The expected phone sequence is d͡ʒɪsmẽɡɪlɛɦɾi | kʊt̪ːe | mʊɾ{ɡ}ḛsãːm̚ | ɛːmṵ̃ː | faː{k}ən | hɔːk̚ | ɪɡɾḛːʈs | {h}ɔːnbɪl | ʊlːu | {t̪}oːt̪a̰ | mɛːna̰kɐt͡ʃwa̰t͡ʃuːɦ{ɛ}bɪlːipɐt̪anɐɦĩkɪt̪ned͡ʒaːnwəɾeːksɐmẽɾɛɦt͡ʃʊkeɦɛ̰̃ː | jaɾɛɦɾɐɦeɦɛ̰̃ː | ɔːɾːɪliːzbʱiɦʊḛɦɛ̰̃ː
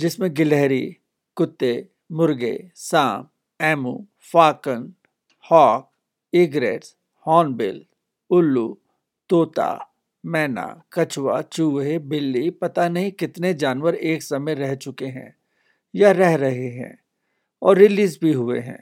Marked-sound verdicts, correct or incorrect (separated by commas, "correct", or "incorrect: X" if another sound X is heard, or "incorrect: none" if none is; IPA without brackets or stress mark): correct, correct, correct, correct, incorrect: e